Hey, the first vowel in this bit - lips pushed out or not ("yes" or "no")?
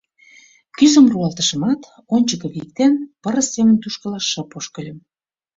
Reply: yes